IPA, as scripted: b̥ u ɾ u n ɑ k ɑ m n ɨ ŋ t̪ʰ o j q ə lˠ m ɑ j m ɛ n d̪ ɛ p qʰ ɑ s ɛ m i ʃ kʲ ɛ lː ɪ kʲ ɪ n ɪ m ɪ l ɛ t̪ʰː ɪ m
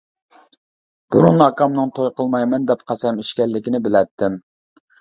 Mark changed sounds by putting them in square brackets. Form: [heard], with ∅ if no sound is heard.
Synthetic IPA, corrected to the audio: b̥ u ɾ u n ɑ k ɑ m n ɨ ŋ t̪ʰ o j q ə lˠ m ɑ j m ɛ n d̪ ɛ p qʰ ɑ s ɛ m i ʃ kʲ ɛ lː ɪ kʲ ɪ n ɪ [b] ɪ l ɛ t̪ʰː ɪ m